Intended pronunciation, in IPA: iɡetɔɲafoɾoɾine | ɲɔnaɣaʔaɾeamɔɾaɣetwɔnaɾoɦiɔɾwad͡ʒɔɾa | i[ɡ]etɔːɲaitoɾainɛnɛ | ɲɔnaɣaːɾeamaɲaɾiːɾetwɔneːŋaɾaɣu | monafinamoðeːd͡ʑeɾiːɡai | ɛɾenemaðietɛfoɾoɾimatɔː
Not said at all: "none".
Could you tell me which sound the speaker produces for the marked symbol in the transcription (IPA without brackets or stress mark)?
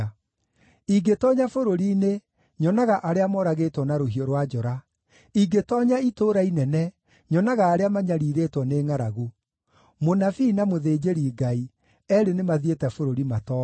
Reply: ɡ